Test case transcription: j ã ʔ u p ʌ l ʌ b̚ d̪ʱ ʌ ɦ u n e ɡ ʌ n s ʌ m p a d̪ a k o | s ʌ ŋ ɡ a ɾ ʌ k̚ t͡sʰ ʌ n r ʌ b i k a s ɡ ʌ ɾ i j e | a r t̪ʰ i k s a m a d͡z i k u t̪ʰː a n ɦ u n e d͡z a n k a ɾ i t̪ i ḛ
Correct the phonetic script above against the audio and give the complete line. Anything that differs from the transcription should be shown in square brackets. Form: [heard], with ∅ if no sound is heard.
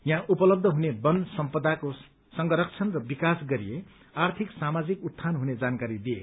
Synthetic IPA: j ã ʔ u p ʌ l ʌ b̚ d̪ʱ ʌ ɦ u n e [b] ʌ n s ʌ m p [ʌ] d̪ a k o | s ʌ ŋ ɡ [ʌ] ɾ ʌ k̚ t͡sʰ ʌ n r ʌ b i k a s ɡ ʌ ɾ i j e | a r t̪ʰ i k s a m a d͡z i k u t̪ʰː a n ɦ u n e d͡z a n k a ɾ i [d̪] i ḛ